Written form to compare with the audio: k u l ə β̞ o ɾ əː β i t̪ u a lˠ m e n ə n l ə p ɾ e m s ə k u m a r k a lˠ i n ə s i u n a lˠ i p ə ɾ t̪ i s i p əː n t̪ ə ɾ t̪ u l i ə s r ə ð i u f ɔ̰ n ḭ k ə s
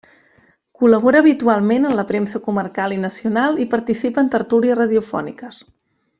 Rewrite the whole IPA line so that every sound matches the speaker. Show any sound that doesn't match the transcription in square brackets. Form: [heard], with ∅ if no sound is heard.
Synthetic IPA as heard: k u l ə β̞ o ɾ əː β i t̪ u a lˠ m e n ə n l ə p ɾ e m s ə k u m [ə] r k a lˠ i n ə s i u n a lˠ i p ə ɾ t̪ i s i p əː n t̪ ə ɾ t̪ u l i ə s r ə ð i u f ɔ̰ n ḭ k ə s